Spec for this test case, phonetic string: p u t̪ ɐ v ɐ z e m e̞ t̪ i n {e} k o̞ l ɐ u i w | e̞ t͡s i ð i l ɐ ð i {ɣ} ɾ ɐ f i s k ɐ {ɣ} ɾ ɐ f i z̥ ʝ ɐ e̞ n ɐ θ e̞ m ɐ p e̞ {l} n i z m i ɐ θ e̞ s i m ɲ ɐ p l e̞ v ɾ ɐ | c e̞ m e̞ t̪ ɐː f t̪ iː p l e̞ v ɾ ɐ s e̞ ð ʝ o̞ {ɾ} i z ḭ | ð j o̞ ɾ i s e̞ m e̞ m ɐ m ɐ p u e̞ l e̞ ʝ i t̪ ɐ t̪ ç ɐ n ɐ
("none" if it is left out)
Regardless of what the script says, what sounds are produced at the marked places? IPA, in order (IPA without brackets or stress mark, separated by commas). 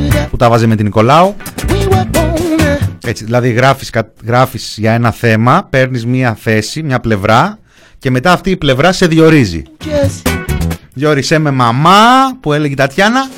i, ɣ, ɣ, ɾ, ɾ